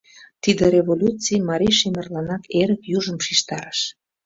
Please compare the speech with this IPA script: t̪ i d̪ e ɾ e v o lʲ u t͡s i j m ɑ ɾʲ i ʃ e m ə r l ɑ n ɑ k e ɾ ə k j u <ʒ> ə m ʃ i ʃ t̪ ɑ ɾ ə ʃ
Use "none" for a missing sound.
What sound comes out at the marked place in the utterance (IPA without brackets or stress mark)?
ʒ